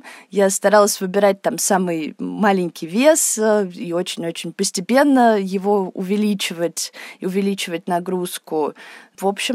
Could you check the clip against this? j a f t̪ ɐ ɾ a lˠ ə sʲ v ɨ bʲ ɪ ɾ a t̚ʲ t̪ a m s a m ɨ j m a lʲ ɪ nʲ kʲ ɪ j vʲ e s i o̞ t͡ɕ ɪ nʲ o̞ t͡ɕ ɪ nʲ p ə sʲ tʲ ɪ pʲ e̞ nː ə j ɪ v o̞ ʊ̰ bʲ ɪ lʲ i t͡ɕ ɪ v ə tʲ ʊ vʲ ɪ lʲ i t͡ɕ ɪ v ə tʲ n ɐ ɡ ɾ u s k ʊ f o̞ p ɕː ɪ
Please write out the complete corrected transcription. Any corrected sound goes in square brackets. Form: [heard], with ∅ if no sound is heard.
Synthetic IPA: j a [s] t̪ ɐ ɾ a lˠ ə sʲ v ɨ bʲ ɪ ɾ a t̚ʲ t̪ a m s a m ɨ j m a lʲ ɪ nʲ kʲ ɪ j vʲ e s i o̞ t͡ɕ ɪ nʲ o̞ t͡ɕ ɪ nʲ p ə sʲ tʲ ɪ pʲ e̞ nː ə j ɪ v o̞ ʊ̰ [vʲ] ɪ lʲ i t͡ɕ ɪ v ə tʲ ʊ vʲ ɪ lʲ i t͡ɕ ɪ v ə tʲ n ɐ ɡ ɾ u s k ʊ [v] o̞ p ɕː ɪ